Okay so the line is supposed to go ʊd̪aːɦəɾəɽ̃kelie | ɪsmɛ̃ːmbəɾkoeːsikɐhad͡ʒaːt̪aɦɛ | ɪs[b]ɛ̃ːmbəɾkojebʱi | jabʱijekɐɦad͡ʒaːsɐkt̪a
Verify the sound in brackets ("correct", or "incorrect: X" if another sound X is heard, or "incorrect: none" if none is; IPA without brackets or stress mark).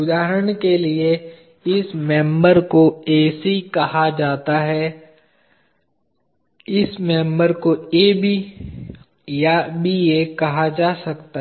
incorrect: m